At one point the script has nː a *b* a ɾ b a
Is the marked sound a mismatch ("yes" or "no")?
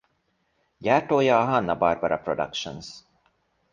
no